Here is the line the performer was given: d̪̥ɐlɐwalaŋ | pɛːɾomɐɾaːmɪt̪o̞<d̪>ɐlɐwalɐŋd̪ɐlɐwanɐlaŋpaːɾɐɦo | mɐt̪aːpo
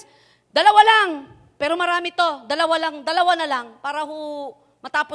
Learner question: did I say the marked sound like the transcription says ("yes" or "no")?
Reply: yes